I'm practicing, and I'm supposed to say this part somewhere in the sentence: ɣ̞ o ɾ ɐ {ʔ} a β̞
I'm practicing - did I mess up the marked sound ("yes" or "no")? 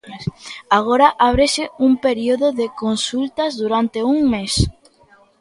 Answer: no